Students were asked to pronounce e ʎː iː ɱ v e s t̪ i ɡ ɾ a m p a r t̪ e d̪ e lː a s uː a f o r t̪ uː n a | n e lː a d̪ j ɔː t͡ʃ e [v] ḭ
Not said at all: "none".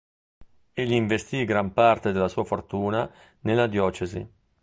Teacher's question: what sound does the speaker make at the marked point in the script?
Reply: z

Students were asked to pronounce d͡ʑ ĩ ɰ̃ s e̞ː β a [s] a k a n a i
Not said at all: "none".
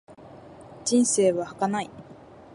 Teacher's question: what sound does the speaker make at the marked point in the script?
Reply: h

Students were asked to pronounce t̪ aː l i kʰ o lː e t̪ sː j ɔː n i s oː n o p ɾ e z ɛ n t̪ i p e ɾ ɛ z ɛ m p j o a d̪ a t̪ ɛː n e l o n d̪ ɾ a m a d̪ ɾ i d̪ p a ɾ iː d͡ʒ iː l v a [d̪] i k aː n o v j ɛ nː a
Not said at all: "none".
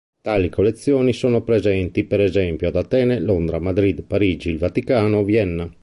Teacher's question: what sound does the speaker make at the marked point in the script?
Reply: t̪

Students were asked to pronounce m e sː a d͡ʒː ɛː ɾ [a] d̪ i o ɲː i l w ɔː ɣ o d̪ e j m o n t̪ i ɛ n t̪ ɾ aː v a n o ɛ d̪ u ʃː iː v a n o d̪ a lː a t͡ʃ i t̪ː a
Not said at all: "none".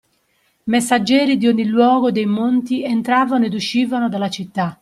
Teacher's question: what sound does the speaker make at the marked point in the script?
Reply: i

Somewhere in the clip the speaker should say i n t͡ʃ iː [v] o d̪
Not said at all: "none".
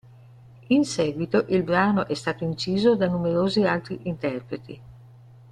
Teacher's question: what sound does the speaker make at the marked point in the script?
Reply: z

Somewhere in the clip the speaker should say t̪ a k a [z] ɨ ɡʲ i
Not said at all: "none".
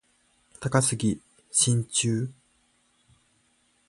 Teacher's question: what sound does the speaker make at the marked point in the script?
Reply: s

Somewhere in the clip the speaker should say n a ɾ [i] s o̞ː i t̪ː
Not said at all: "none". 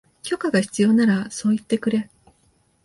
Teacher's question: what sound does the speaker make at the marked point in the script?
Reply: a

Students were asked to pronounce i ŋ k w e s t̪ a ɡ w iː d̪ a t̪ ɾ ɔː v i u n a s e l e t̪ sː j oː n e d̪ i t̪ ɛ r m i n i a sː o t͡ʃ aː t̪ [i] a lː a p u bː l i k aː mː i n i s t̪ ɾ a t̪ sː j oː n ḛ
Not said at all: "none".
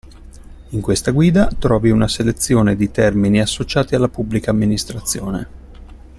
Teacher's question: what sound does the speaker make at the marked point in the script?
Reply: i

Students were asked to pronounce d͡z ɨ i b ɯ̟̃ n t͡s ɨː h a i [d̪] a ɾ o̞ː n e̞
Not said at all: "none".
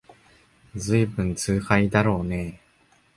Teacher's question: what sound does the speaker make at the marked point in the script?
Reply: d̪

